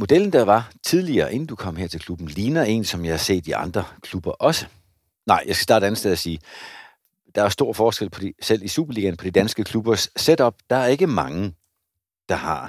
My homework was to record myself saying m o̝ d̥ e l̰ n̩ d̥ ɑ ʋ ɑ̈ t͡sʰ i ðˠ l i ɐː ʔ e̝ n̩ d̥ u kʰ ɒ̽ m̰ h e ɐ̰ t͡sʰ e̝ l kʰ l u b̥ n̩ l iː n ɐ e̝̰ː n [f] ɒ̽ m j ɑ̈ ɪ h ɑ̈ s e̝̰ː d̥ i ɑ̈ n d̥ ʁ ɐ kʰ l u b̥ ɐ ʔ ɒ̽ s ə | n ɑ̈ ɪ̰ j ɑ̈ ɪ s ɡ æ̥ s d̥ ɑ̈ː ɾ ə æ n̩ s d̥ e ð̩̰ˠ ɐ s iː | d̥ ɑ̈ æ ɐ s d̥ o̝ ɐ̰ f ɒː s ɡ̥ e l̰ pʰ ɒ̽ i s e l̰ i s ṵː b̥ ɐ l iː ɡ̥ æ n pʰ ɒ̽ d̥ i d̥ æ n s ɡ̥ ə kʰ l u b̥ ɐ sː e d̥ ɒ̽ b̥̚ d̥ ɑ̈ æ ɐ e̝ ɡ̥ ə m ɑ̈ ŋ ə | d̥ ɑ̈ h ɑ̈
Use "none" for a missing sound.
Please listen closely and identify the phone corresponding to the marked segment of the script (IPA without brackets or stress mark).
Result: s